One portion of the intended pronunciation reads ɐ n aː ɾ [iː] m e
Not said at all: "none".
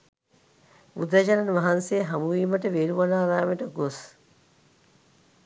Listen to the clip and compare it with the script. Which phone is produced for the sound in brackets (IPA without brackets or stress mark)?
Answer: aː